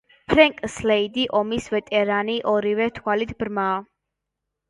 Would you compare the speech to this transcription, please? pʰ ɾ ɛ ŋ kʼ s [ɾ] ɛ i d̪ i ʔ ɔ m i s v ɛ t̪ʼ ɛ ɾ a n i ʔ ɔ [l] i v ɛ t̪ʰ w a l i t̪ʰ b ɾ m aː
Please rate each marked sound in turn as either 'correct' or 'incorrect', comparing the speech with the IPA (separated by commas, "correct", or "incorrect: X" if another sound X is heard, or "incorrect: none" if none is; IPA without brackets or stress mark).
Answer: incorrect: l, incorrect: ɾ